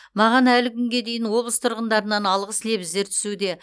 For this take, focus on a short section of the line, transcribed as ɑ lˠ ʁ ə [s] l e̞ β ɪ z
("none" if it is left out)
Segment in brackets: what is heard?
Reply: s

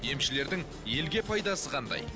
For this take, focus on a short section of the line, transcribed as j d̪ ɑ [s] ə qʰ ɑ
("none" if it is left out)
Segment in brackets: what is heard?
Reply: s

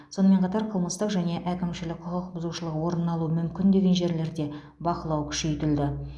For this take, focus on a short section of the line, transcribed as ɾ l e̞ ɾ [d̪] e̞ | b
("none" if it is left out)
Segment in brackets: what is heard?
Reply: d̪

